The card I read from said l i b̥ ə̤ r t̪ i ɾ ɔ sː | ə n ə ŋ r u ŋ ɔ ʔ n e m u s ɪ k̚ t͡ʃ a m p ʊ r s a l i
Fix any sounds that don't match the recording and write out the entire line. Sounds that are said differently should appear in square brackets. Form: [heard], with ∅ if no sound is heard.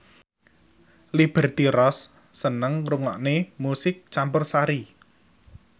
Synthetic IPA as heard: l i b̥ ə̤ r t̪ i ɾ ɔ sː | ə n ə ŋ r u ŋ ɔ ʔ n e m u s ɪ k̚ t͡ʃ a m p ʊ r s a [ɾ] i